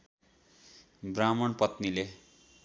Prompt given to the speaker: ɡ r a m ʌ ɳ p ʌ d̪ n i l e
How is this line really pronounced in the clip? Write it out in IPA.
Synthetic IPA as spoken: b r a m ʌ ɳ p ʌ t̪ n i l e